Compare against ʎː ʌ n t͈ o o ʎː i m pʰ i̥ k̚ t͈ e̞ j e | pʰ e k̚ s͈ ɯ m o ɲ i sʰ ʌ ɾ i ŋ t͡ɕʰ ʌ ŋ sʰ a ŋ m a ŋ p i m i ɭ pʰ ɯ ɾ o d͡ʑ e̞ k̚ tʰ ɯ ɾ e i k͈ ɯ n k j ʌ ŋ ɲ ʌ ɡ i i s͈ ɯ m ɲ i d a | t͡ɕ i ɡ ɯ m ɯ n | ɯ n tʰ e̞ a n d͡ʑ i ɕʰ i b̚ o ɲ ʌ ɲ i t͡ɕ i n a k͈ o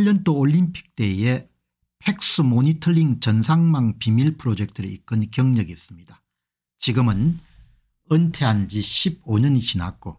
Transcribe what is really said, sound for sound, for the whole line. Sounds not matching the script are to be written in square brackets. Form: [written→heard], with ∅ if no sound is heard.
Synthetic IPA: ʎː ʌ n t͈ o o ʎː i m pʰ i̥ k̚ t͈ e̞ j e | pʰ e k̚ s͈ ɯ m o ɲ i [sʰ→tʰ] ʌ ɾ i ŋ [t͡ɕʰ→t͡ɕ] ʌ [ŋ→n] sʰ a ŋ m a ŋ p i m i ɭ pʰ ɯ ɾ o d͡ʑ e̞ k̚ tʰ ɯ ɾ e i k͈ ɯ n k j ʌ ŋ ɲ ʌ ɡ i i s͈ ɯ m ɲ i d a | t͡ɕ i ɡ ɯ m ɯ n | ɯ n tʰ e̞ a n d͡ʑ i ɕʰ i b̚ o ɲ ʌ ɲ i t͡ɕ i n a k͈ o